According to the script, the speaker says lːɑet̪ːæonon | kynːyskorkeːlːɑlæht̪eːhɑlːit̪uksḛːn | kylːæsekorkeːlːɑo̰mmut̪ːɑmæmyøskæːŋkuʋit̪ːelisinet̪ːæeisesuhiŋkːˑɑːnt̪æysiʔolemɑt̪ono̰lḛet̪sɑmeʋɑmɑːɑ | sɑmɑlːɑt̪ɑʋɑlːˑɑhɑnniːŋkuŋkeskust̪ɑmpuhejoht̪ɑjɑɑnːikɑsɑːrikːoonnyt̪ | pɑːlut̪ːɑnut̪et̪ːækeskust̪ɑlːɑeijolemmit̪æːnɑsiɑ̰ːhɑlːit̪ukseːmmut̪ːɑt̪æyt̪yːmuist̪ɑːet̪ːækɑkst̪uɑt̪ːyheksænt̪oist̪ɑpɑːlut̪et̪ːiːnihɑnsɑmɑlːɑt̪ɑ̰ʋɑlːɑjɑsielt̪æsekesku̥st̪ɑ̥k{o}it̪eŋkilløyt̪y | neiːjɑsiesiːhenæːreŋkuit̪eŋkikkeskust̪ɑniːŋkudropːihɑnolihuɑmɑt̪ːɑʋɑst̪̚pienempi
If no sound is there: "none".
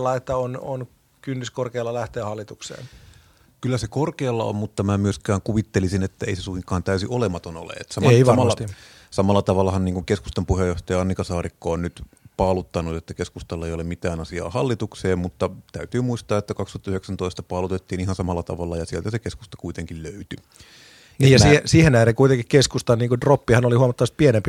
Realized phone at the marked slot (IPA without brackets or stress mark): u